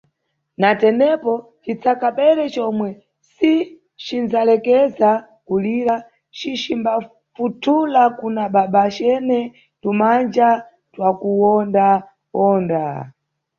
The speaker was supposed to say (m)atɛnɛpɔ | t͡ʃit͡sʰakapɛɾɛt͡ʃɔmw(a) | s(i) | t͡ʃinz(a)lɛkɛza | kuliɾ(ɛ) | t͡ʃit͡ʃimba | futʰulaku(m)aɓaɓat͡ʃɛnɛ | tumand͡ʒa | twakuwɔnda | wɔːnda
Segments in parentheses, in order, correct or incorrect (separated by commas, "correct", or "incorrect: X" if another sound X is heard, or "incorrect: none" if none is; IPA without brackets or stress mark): incorrect: n, incorrect: ɛ, correct, correct, incorrect: a, incorrect: n